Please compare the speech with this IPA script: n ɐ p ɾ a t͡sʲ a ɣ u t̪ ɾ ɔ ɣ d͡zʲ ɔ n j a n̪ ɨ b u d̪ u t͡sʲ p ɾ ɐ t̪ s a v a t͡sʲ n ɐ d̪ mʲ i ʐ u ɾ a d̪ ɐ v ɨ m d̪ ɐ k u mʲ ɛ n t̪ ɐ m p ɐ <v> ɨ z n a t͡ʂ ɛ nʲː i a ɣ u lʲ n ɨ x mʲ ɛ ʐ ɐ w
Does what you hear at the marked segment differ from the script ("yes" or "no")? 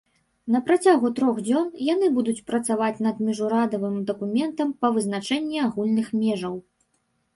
no